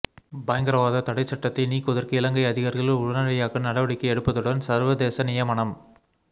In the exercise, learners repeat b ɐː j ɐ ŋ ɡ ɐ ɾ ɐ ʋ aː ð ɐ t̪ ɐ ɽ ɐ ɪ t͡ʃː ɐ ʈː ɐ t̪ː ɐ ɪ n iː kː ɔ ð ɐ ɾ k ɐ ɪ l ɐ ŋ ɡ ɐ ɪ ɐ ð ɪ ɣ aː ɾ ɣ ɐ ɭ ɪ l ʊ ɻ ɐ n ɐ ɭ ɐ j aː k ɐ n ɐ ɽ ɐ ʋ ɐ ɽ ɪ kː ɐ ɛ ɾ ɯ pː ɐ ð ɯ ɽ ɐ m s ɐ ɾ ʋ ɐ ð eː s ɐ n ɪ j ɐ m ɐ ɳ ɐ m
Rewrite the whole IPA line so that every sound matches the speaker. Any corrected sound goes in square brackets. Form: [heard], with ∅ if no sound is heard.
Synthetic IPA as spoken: b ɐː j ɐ ŋ ɡ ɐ ɾ ɐ ʋ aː ð ɐ t̪ ɐ ɽ ɐ ɪ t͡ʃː ɐ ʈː ɐ t̪ː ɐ ɪ n iː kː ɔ ð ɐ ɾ k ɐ ɪ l ɐ ŋ ɡ ɐ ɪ ɐ ð ɪ ɣ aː ɾ ɣ ɐ ɭ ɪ l ʊ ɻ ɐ n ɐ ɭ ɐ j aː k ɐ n ɐ ɽ ɐ ʋ ɐ ɽ ɪ kː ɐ ɛ [ɽ] ɯ pː ɐ ð ɯ ɽ ɐ [n] s ɐ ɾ ʋ ɐ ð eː s ɐ n ɪ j ɐ m ɐ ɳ ɐ m